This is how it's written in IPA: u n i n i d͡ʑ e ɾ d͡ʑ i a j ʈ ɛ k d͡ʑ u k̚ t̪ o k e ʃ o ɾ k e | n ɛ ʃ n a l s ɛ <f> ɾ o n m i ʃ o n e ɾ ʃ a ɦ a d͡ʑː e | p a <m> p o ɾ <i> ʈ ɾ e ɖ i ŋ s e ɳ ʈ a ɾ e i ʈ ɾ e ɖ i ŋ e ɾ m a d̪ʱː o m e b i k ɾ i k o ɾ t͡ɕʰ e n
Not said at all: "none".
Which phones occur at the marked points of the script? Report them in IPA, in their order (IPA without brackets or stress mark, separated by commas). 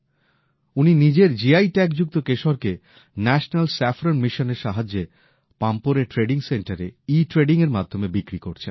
f, m, e